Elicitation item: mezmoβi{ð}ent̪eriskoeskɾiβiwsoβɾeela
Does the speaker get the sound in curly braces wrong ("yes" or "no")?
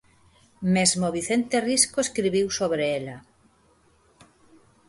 yes